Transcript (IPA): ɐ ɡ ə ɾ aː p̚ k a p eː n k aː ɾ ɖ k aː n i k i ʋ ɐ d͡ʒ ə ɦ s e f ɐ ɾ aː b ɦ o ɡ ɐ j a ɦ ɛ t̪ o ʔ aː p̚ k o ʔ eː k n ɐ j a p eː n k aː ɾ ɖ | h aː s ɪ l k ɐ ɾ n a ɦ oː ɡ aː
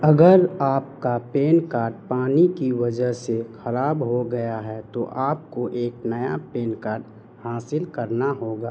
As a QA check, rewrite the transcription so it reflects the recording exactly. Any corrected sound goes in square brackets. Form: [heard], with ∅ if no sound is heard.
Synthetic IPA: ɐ ɡ ə ɾ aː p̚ k a p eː n k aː ɾ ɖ [p] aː n i k i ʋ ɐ d͡ʒ ə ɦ s e [x] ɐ ɾ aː b ɦ o ɡ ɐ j a ɦ ɛ t̪ o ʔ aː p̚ k o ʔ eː k n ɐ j a p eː n k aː ɾ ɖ | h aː s ɪ l k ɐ ɾ n a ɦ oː ɡ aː